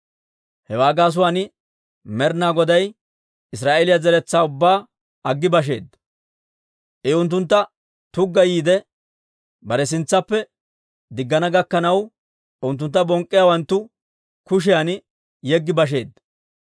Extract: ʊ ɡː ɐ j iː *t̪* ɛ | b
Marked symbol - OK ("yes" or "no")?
no